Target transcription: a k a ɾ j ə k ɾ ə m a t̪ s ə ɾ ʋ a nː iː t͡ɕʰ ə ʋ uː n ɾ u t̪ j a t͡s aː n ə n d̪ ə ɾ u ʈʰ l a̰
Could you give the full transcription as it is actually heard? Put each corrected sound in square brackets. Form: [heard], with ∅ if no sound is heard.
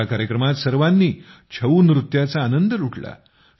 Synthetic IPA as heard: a k a ɾ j ə k ɾ ə m a t̪ s ə ɾ ʋ a nː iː t͡ɕʰ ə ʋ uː n ɾ u t̪ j a t͡s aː n ə n d̪ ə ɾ u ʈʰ l a̰